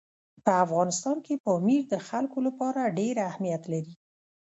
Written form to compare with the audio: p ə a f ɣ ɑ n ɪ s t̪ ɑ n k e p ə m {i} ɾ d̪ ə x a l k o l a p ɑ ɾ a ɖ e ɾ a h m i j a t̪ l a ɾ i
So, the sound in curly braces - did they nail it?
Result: yes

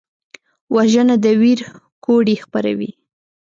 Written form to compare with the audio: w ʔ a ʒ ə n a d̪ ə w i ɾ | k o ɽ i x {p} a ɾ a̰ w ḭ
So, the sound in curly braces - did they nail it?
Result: yes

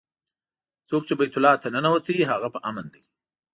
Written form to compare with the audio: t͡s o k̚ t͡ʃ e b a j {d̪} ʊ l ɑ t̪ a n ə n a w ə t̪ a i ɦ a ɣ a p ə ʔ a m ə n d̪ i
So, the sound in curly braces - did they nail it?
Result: no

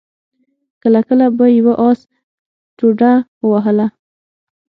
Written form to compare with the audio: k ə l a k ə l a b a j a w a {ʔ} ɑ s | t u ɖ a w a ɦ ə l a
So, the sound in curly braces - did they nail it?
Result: yes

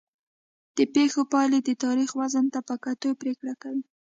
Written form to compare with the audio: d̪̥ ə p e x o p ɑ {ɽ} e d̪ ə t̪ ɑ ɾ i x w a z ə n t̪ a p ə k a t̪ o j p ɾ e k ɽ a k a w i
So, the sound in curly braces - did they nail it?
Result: no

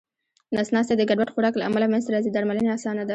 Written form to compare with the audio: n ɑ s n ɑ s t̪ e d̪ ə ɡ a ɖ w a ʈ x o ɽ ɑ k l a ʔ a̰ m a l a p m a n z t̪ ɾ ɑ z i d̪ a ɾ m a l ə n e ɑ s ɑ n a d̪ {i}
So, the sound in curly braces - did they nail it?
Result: no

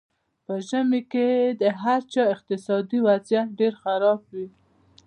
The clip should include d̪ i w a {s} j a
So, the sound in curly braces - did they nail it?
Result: no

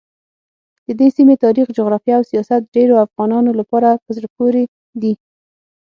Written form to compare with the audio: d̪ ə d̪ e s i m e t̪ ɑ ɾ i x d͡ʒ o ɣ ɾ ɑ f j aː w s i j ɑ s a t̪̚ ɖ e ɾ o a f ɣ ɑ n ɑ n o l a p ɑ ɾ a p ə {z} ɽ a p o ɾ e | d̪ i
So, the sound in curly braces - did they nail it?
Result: yes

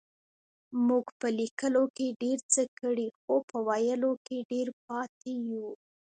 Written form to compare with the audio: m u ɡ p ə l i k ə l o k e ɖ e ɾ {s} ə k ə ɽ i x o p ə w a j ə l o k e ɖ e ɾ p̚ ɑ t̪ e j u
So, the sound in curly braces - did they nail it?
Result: no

